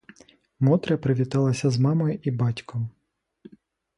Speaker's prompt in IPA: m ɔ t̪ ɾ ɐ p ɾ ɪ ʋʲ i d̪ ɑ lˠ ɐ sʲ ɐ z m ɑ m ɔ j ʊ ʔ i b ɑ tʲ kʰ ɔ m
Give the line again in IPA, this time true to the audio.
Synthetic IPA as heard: m ɔ t̪ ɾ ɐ p ɾ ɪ ʋʲ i t̪ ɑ lˠ ɐ sʲ ɐ z m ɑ m ɔ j ʊ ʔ i b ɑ tʲ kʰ ɔ m